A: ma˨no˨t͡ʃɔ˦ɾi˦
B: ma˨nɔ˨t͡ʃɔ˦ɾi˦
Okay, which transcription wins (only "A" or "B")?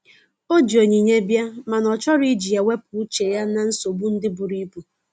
B